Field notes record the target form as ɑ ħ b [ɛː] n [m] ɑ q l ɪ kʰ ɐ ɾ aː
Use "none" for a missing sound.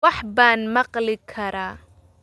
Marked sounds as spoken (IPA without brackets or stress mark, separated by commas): aː, m